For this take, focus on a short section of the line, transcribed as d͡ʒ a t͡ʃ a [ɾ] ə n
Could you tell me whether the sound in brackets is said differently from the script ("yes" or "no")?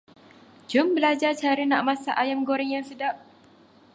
no